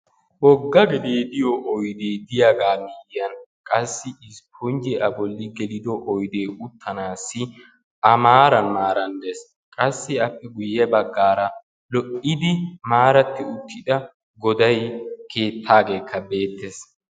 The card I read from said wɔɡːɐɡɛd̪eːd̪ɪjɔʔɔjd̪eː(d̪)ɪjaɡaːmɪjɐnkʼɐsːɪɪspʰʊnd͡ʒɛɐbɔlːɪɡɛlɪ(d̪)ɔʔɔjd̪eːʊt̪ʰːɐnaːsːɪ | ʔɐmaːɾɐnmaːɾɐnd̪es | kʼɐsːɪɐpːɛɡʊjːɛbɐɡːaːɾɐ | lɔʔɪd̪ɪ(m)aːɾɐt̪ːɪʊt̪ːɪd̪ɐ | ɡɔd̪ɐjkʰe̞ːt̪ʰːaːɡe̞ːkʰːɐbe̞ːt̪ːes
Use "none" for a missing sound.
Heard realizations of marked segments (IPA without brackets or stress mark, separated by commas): d̪, d̪, m